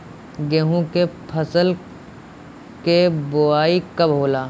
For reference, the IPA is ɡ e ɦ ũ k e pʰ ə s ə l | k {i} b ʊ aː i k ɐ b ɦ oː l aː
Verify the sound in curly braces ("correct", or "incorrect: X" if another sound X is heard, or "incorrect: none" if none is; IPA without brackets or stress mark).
incorrect: e